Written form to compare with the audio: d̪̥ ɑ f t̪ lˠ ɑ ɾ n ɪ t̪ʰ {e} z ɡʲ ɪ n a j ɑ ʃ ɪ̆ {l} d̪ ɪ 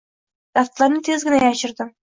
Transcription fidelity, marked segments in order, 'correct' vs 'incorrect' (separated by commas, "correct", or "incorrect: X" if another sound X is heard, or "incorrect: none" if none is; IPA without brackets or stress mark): correct, incorrect: ɾ